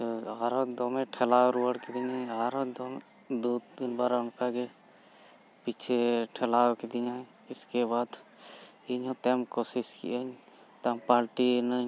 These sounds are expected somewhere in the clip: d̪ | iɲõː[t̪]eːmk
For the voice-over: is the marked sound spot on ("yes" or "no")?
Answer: yes